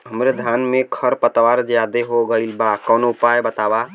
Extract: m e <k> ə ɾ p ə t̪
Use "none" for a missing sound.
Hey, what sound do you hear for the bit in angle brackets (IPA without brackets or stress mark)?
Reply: kʰ